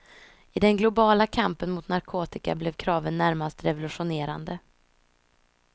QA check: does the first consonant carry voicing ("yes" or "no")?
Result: yes